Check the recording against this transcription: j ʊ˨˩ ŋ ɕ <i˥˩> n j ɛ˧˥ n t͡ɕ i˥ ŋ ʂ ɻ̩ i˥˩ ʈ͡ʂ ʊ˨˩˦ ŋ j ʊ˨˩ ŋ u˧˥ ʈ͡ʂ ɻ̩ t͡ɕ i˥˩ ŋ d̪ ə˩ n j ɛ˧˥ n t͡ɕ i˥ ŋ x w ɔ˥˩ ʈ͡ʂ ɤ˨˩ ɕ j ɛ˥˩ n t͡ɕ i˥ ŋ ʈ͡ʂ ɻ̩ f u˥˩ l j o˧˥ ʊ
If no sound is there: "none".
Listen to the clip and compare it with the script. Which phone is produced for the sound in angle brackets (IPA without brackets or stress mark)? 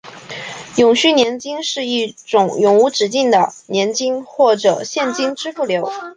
y˥˩